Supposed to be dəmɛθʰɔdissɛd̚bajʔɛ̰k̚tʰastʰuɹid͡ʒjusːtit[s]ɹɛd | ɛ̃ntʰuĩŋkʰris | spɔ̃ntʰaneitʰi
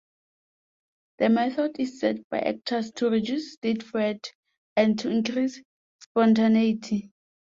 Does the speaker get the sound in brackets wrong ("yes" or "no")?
yes